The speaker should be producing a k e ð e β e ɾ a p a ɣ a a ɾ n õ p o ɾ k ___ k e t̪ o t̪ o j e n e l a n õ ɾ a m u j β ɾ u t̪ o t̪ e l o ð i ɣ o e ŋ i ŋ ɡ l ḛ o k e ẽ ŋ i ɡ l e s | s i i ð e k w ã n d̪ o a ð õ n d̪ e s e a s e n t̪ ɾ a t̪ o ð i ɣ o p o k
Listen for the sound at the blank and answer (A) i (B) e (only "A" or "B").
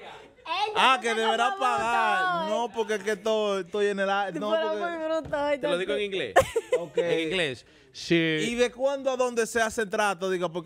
B